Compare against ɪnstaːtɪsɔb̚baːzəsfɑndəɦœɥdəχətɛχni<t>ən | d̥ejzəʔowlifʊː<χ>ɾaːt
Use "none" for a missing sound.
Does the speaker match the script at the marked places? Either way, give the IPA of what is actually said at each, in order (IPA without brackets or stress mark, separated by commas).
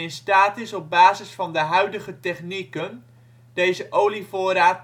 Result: k, none